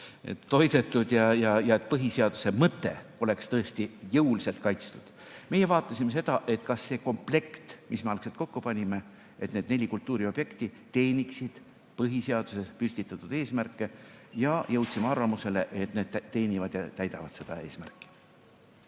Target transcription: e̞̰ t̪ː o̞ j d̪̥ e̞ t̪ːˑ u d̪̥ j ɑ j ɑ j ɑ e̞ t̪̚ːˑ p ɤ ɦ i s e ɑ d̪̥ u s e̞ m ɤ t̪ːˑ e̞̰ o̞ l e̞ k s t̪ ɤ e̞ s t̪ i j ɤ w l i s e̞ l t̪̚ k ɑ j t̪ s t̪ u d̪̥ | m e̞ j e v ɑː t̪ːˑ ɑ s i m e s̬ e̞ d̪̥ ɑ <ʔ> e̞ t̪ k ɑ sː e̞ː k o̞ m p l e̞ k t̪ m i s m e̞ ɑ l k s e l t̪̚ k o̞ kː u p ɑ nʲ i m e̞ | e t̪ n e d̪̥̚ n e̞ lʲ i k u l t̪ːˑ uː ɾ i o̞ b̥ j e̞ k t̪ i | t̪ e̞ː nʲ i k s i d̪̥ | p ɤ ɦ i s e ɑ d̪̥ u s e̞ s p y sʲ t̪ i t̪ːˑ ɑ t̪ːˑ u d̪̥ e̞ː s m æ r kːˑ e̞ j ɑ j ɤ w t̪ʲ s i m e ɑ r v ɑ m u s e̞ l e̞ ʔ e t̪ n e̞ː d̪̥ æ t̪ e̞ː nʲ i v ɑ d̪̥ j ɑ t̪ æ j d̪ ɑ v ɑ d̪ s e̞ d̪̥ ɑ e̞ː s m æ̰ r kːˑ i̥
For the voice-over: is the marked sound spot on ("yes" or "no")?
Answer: yes